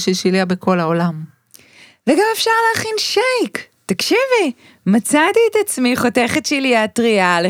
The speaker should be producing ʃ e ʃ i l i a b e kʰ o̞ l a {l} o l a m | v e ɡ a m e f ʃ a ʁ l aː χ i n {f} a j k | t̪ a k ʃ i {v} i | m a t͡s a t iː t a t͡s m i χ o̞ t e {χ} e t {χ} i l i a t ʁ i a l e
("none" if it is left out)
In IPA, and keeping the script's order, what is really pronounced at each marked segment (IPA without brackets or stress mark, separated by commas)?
none, ʃ, v, χ, ʃ